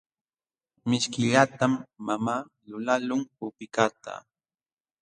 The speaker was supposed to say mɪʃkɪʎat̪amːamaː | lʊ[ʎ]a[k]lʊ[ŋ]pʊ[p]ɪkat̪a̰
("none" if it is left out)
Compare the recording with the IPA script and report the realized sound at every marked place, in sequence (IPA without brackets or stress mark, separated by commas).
l, none, ŋ, p